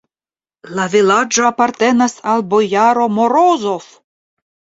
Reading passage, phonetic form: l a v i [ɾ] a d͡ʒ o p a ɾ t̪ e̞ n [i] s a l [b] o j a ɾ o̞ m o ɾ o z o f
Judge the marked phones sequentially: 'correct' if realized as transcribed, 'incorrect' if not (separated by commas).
incorrect, incorrect, correct